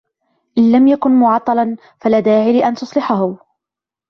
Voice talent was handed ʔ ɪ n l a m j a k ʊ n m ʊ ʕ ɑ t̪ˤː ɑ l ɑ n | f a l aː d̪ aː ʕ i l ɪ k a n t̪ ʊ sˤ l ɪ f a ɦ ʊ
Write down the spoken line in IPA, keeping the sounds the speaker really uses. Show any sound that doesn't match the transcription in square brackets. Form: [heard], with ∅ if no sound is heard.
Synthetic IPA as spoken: ʔ ɪ n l a m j a k ʊ n m ʊ ʕ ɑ t̪ˤː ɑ l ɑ n | f a l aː d̪ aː ʕ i l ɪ [ʔ] a n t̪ ʊ sˤ l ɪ [ħ] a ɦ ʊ